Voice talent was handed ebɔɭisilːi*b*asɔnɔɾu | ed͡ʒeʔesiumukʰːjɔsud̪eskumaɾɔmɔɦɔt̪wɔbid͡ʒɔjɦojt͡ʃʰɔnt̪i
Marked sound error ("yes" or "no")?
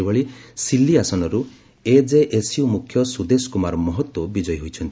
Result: yes